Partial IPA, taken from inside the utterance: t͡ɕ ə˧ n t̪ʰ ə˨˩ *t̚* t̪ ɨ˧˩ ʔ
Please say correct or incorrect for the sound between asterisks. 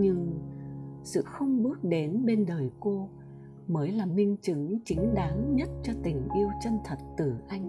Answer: correct